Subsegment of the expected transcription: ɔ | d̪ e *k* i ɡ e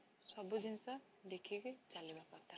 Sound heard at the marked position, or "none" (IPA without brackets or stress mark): kʰ